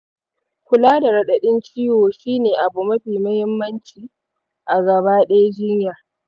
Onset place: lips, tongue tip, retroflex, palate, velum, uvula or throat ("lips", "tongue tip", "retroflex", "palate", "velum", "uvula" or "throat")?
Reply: velum